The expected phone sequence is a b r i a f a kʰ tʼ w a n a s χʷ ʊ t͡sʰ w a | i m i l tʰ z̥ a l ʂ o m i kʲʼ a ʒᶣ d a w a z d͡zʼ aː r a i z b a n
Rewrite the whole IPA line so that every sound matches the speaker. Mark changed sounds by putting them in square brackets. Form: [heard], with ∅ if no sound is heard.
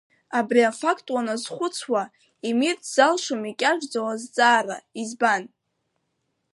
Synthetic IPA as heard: a b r i a f a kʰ tʼ w a n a [z] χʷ ʊ t͡sʰ w a | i m i [r] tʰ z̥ a l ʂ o m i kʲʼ a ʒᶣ [d͡z] a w a z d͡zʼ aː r a i z b a n